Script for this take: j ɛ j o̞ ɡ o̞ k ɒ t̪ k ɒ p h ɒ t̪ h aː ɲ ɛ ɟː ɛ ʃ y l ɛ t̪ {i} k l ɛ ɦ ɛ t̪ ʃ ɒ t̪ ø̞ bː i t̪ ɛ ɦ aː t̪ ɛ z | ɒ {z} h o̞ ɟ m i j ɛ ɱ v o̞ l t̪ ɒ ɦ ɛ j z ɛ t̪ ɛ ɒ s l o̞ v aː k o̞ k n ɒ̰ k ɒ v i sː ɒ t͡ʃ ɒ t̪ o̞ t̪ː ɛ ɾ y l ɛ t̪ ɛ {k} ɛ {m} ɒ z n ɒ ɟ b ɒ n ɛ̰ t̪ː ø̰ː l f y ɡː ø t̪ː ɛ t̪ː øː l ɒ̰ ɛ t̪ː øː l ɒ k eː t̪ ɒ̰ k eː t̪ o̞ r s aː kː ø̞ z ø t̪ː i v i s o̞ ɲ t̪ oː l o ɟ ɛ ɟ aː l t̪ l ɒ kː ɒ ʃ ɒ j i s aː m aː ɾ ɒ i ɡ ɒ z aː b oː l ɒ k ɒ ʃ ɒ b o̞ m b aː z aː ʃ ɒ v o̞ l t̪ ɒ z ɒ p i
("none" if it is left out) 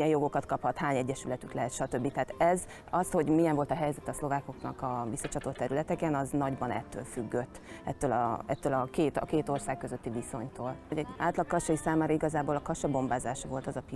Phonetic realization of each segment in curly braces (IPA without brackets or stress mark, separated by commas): y, s, k, n